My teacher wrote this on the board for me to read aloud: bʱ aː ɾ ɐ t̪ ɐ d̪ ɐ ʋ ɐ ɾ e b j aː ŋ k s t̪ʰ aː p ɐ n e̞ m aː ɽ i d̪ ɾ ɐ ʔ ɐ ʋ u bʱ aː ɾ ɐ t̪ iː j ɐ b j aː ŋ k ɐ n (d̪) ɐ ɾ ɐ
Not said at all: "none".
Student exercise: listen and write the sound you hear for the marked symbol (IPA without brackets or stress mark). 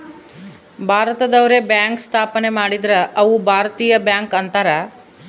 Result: t̪